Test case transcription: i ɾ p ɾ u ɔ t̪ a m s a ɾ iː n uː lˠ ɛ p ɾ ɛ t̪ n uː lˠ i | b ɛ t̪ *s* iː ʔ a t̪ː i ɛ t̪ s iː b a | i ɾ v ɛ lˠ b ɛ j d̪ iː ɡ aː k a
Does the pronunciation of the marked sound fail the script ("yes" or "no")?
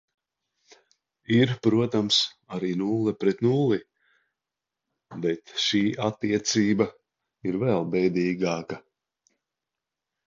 yes